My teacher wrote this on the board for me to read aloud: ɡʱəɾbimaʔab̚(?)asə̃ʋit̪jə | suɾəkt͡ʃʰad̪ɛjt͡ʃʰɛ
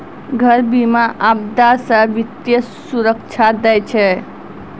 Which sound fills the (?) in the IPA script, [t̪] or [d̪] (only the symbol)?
d̪